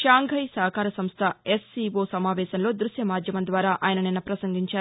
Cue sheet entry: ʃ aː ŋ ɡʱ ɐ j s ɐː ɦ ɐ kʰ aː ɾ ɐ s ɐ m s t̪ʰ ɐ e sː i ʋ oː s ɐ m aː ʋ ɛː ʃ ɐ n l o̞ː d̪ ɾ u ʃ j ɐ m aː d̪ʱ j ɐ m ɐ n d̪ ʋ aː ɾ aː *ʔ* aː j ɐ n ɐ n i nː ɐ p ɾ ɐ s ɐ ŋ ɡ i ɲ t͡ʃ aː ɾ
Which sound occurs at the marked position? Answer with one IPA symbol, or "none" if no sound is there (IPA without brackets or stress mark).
ʔ